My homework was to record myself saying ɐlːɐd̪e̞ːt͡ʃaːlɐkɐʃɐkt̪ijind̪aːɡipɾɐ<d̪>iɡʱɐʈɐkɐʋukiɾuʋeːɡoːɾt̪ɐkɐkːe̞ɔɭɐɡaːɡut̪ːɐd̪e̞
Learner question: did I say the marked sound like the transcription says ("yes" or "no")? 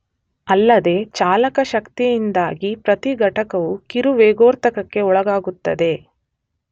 no